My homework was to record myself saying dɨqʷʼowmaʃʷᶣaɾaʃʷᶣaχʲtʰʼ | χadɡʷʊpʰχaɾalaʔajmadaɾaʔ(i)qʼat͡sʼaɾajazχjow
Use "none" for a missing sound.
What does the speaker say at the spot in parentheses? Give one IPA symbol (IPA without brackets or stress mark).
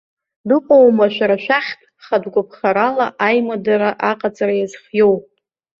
a